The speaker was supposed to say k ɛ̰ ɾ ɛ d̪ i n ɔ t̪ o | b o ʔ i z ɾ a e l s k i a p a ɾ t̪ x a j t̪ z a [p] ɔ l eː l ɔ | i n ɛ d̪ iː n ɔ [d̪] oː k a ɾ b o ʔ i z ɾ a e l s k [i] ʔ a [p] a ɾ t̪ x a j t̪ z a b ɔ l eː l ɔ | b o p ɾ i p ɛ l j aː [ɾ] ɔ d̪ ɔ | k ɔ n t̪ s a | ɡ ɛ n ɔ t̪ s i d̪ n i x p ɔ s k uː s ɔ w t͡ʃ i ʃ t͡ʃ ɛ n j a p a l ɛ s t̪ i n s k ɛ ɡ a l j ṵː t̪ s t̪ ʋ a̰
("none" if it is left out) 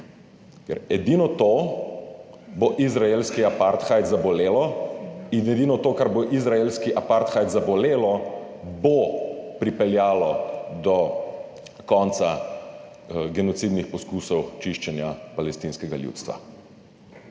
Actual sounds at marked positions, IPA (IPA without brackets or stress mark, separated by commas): b, t̪, i, p, l